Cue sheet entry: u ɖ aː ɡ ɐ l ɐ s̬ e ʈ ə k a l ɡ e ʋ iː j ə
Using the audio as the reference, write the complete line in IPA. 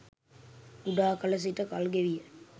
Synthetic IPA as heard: u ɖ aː k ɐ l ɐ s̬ i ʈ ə k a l ɡ e ʋ i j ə